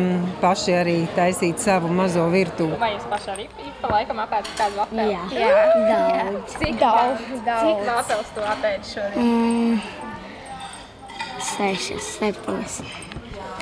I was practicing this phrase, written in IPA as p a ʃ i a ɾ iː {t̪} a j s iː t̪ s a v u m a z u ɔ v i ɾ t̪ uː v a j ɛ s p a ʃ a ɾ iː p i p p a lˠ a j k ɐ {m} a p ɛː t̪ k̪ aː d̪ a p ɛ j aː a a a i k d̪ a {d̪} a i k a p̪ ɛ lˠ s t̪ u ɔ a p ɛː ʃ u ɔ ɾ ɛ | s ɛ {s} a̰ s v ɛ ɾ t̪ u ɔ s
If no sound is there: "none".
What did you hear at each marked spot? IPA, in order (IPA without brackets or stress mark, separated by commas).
t̪, m, d̪, ʃ